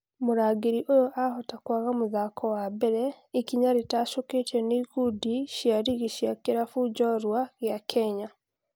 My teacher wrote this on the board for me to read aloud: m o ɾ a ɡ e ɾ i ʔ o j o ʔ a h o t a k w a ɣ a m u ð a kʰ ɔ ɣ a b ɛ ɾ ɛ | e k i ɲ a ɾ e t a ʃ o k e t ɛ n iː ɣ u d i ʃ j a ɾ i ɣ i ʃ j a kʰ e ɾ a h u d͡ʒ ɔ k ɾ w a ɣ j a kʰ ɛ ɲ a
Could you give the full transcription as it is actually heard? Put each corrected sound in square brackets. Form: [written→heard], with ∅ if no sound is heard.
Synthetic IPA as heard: m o ɾ a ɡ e ɾ i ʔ o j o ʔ a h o t a k w a ɣ a m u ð a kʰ ɔ [ɣ→w] a b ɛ ɾ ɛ | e k i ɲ a ɾ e t a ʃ o k e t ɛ n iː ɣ u d i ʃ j a ɾ i ɣ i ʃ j a [kʰ→k] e ɾ a [h→f] u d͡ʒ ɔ [k→∅] ɾ w a ɣ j a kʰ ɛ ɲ a